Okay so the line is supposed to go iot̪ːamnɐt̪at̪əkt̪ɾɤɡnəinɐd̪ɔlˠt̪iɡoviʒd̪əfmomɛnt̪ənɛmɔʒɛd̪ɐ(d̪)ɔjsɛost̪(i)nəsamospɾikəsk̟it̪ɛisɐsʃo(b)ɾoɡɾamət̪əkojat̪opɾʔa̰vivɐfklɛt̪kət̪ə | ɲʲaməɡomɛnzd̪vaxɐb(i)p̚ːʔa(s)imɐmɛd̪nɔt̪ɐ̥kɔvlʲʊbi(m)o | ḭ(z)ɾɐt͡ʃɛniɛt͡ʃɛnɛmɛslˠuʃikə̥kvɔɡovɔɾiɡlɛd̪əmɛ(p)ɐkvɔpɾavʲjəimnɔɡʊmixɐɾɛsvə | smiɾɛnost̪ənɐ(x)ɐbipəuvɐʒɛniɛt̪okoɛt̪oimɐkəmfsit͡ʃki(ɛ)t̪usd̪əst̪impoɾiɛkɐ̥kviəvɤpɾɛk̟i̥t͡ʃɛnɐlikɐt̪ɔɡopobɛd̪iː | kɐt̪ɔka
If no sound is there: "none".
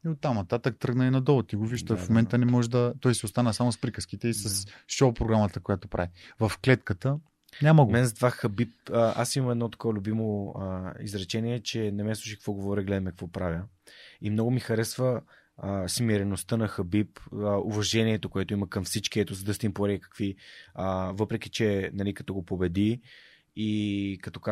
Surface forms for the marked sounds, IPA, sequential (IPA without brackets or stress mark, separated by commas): t̪, a, p, i, s, m, z, k, x, ɛ